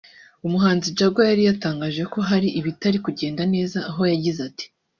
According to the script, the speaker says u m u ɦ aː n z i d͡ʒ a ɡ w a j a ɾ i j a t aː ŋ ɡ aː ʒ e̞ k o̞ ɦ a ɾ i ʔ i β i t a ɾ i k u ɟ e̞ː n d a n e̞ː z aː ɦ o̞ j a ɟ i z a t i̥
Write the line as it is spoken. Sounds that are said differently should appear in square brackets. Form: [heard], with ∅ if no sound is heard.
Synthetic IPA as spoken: u m u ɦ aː n z i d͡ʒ a ɡ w a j a ɾ i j a t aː ŋ ɡ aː ʒ e̞ k o̞ ɦ a ɾ i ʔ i β i t a ɾ i k u ɟ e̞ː n d a n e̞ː z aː ɦ o̞ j a ɟ i z a t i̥